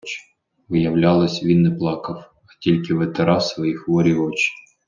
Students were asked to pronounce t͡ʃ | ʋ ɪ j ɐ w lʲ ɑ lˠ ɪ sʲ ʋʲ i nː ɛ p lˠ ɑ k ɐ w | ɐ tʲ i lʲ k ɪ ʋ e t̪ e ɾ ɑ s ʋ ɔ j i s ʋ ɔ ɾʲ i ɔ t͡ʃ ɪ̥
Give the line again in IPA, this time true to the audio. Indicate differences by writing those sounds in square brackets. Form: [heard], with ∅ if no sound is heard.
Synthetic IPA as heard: t͡ʃ | ʋ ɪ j ɐ w lʲ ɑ lˠ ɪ sʲ ʋʲ i nː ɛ p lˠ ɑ k ɐ w | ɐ tʲ i lʲ k ɪ ʋ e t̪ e ɾ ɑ s ʋ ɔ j i [x] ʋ ɔ ɾʲ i ɔ t͡ʃ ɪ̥

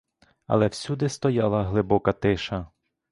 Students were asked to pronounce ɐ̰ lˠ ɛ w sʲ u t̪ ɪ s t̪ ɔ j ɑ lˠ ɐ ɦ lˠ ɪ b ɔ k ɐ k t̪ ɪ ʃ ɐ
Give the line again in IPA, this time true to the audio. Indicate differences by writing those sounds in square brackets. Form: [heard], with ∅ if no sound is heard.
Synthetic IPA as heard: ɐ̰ lˠ ɛ w sʲ u [d̪] ɪ s t̪ ɔ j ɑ lˠ ɐ ɦ lˠ ɪ b ɔ k ɐ [∅] t̪ ɪ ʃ ɐ

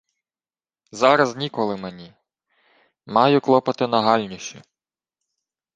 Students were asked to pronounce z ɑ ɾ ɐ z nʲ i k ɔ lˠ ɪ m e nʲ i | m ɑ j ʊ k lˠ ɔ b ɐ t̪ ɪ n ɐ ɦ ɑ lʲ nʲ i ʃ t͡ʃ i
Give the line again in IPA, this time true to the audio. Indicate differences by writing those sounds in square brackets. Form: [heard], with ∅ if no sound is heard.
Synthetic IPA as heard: z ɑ ɾ ɐ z nʲ i k ɔ lˠ ɪ m e nʲ i | m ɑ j ʊ k lˠ ɔ [p] ɐ t̪ ɪ n ɐ ɦ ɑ lʲ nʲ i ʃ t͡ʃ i

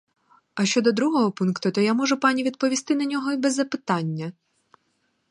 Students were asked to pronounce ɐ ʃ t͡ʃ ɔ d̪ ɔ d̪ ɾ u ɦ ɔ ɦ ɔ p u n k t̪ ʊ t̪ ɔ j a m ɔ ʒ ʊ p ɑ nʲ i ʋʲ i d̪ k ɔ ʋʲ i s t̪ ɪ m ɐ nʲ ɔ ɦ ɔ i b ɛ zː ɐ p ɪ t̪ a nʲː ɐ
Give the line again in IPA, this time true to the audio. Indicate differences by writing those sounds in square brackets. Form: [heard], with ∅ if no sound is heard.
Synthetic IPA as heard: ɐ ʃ t͡ʃ ɔ d̪ ɔ d̪ ɾ u ɦ ɔ ɦ ɔ p u n k t̪ ʊ t̪ ɔ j a m ɔ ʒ ʊ p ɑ nʲ i ʋʲ i d̪ [p] ɔ ʋʲ i s t̪ ɪ [n] ɐ nʲ ɔ ɦ ɔ i b ɛ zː ɐ p ɪ t̪ [ɑ] nʲː ɐ

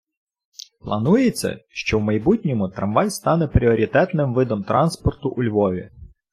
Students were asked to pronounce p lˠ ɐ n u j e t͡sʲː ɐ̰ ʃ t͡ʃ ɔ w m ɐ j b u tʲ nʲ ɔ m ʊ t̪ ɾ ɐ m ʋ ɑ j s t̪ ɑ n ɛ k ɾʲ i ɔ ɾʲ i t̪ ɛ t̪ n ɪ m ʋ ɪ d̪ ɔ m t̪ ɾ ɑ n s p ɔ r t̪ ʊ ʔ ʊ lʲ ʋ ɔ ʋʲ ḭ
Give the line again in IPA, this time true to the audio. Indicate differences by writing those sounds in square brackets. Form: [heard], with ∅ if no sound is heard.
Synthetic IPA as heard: p lˠ ɐ n u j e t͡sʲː ɐ̰ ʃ t͡ʃ ɔ w m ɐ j b u tʲ nʲ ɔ m ʊ t̪ ɾ ɐ m ʋ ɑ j s t̪ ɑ n ɛ [p] ɾʲ i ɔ ɾʲ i t̪ ɛ t̪ n ɪ m ʋ ɪ d̪ ɔ m t̪ ɾ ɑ n s p ɔ r t̪ ʊ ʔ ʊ lʲ ʋ ɔ ʋʲ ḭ

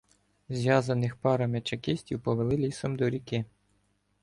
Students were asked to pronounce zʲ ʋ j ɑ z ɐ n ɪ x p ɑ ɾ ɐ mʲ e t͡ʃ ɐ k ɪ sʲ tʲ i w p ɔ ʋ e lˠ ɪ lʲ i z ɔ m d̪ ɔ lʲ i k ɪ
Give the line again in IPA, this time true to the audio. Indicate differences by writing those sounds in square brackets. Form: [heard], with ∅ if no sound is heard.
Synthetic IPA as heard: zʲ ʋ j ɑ z ɐ n ɪ x p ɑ ɾ ɐ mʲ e t͡ʃ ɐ k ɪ sʲ tʲ i w p ɔ ʋ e lˠ ɪ lʲ i [s] ɔ m d̪ ɔ [ɾʲ] i k ɪ

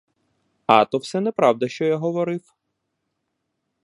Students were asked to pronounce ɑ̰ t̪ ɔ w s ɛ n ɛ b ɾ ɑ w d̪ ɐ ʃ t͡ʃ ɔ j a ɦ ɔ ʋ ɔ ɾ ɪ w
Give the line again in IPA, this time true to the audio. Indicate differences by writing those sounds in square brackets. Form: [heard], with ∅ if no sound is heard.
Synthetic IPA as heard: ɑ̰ t̪ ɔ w s ɛ n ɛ [p] ɾ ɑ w d̪ ɐ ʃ t͡ʃ ɔ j a ɦ ɔ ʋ ɔ ɾ ɪ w

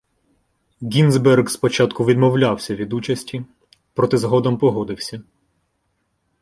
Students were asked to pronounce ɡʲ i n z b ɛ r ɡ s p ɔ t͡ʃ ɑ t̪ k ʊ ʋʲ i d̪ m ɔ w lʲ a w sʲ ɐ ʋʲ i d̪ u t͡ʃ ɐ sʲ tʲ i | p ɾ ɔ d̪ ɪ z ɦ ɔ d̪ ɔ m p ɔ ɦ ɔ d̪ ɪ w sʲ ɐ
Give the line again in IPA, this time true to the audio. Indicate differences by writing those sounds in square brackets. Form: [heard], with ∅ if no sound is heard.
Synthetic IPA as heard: ɡʲ i n z b ɛ r ɡ s p ɔ t͡ʃ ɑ t̪ k ʊ ʋʲ i d̪ m ɔ w lʲ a w sʲ ɐ ʋʲ i d̪ u t͡ʃ ɐ sʲ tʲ i | p ɾ ɔ [t̪] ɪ z ɦ ɔ d̪ ɔ m p ɔ ɦ ɔ d̪ ɪ w sʲ ɐ

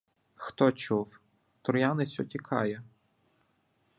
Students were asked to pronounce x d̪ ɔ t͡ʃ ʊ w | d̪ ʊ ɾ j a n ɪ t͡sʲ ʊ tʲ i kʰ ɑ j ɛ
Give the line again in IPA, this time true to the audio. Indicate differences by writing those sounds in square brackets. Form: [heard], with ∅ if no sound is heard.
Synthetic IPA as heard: x [t̪] ɔ t͡ʃ [u] w | [t̪] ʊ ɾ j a n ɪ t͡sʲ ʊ tʲ i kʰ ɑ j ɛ

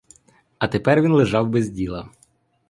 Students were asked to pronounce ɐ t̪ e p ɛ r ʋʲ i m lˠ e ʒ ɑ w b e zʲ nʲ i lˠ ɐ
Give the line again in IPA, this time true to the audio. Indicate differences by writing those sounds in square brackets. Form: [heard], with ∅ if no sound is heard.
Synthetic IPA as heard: ɐ t̪ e p ɛ r ʋʲ i [n] lˠ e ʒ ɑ w b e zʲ [dʲ] i lˠ ɐ

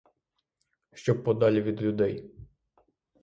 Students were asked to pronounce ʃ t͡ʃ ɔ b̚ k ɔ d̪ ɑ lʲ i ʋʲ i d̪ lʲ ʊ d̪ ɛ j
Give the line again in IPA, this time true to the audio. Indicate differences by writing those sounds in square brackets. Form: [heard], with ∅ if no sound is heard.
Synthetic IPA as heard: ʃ t͡ʃ ɔ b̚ [p] ɔ d̪ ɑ lʲ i ʋʲ i d̪ lʲ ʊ d̪ ɛ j

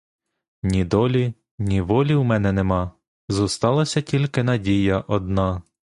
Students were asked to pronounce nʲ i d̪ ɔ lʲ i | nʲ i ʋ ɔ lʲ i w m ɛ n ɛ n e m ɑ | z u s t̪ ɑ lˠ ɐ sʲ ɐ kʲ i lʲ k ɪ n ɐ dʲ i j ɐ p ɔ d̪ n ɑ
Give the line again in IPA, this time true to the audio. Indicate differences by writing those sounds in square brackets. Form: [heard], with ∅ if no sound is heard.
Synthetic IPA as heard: nʲ i d̪ ɔ lʲ i | nʲ i ʋ ɔ lʲ i w m ɛ n ɛ n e m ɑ | z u s t̪ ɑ lˠ ɐ sʲ ɐ [tʲ] i lʲ k ɪ n ɐ dʲ i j ɐ [ʔ] ɔ d̪ n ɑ

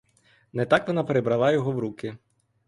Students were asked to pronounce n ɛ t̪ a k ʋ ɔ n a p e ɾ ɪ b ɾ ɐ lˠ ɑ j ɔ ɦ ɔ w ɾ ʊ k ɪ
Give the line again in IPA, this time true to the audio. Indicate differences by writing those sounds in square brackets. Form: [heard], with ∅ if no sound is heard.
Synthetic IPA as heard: n ɛ t̪ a k ʋ ɔ n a p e ɾ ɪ b ɾ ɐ lˠ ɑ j ɔ ɦ ɔ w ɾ [u] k ɪ

